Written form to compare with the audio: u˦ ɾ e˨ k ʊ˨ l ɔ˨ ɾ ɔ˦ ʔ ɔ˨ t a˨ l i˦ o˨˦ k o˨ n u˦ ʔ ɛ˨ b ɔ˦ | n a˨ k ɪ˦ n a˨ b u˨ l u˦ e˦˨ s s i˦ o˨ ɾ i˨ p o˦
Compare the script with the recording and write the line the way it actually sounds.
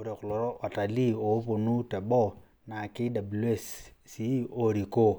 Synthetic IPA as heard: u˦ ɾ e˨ k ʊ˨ l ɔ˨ ɾ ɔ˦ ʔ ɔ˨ t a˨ l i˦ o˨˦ p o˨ n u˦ t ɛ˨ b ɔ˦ | n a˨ k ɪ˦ d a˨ b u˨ l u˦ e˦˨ s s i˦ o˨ ɾ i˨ k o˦